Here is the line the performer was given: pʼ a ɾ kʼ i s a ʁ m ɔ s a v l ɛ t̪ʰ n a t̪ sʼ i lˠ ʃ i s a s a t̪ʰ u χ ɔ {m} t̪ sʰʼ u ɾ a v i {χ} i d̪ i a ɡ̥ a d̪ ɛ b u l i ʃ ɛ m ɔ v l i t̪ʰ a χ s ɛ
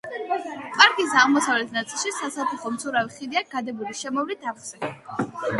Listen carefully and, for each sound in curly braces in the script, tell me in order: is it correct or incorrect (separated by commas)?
correct, correct